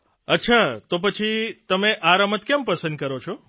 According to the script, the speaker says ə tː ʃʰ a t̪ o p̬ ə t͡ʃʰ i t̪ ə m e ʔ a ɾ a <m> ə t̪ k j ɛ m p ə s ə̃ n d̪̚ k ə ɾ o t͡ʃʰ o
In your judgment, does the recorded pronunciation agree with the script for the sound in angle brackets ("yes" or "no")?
yes